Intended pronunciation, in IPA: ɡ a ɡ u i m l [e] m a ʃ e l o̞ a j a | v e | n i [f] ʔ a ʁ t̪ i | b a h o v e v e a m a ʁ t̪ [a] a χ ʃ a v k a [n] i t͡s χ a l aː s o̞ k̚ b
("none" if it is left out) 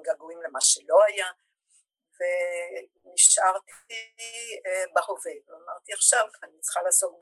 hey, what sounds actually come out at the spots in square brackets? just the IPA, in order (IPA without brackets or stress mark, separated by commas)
e, ʃ, i, n